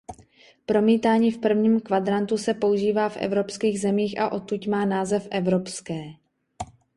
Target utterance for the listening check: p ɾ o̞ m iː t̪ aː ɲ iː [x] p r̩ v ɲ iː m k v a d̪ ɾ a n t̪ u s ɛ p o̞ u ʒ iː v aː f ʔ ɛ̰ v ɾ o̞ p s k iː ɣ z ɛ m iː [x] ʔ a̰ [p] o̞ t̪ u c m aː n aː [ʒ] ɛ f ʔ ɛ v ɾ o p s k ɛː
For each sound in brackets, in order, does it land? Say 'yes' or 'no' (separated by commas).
no, yes, no, no